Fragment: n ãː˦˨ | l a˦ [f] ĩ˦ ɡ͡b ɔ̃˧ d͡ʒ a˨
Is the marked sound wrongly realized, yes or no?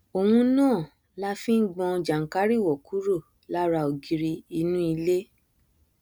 no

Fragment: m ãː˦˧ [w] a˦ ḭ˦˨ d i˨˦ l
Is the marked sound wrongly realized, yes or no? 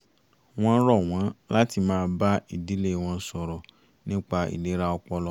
yes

